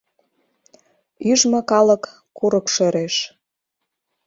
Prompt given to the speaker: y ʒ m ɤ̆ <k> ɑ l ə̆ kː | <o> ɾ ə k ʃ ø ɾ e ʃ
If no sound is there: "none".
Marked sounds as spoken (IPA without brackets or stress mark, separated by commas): k, u